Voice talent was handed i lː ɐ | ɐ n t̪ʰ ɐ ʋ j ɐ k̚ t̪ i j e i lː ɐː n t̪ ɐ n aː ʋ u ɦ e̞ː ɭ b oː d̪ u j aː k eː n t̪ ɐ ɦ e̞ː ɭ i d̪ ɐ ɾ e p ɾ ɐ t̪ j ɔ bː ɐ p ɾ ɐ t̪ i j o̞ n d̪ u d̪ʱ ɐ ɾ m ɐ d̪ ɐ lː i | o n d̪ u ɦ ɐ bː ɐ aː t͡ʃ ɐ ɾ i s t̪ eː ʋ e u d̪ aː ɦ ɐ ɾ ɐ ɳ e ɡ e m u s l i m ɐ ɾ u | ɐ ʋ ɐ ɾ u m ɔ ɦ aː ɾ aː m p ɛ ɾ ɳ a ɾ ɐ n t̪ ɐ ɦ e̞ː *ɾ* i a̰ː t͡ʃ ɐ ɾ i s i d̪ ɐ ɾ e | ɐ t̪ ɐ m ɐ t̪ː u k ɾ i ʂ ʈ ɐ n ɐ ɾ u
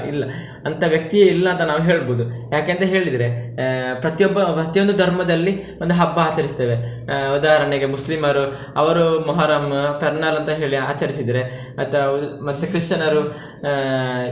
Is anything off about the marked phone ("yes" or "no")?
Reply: yes